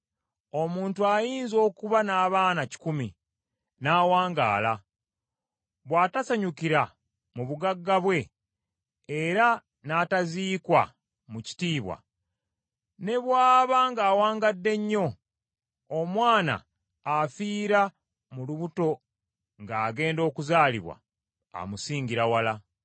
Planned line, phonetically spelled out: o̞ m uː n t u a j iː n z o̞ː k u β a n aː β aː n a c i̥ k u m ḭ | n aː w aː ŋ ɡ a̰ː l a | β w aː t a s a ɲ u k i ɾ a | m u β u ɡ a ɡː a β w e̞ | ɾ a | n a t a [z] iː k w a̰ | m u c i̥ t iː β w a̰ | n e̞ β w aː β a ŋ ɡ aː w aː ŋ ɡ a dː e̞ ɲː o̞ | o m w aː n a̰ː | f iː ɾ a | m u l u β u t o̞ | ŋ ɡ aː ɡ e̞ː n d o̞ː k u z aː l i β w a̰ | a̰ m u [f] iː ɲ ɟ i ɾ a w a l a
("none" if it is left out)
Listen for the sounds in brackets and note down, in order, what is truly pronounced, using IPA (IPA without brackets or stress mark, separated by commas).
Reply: z, s